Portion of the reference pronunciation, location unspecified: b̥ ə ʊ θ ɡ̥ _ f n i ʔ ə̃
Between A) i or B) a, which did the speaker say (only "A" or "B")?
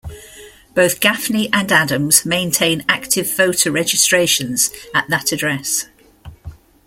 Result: B